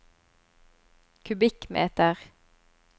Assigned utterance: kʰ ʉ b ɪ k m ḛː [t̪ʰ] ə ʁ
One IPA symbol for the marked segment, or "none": t̪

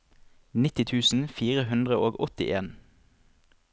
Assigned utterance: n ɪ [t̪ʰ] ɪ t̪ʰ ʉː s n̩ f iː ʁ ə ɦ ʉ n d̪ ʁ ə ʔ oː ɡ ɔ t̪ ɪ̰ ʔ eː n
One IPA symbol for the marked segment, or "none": t̪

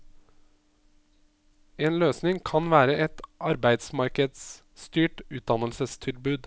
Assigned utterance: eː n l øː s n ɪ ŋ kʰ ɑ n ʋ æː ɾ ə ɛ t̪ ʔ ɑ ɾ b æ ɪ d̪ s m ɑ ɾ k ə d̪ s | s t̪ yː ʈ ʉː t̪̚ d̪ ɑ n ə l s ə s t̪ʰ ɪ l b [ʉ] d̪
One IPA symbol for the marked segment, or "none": ʉː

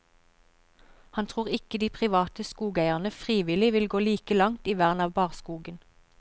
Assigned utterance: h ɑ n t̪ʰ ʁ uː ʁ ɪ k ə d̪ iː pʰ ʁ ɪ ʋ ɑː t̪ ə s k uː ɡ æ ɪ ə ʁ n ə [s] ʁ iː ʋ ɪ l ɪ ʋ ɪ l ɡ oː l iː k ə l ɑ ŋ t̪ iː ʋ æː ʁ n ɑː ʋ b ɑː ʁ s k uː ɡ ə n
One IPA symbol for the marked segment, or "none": f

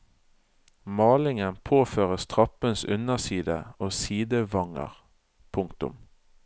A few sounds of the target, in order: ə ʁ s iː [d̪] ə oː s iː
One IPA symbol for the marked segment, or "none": d̪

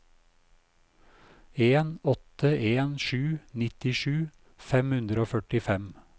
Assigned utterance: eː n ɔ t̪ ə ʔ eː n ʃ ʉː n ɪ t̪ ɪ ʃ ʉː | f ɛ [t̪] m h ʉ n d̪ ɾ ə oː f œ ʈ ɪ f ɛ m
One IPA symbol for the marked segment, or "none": none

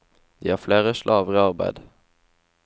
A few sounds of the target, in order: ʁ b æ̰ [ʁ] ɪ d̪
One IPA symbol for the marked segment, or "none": none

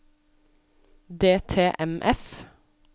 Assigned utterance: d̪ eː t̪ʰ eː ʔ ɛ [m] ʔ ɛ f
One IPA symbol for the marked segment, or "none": m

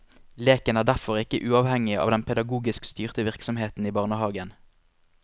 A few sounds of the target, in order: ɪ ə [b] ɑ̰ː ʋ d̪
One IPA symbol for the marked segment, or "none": none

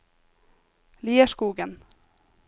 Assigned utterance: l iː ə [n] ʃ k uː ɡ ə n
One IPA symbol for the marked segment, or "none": none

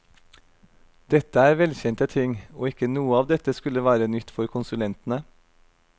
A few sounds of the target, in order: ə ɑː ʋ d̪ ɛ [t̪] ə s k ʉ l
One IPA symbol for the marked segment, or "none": t̪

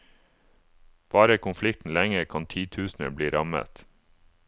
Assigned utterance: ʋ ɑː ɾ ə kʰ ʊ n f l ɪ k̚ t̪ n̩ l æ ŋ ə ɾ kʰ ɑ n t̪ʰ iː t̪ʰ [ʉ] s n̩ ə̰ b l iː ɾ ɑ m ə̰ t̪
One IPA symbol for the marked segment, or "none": ʉː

